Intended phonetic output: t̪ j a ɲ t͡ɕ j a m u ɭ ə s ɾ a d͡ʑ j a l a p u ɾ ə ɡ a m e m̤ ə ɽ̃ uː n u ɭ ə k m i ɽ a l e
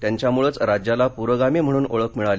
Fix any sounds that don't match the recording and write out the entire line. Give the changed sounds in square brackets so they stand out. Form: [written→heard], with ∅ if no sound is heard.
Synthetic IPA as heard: t̪ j a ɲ t͡ɕ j a m u ɭ ə [s→t͡s] ɾ a d͡ʑ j a l a p u ɾ ə ɡ a m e m̤ ə ɽ̃ uː n [u→o] ɭ ə k m i [ɽ→ɭ] a l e